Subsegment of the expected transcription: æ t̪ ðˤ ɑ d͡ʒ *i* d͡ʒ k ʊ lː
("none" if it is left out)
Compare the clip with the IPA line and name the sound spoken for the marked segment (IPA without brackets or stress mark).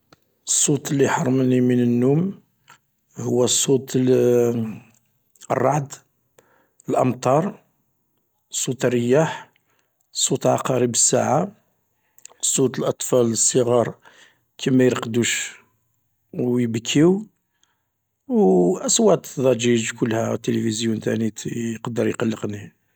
i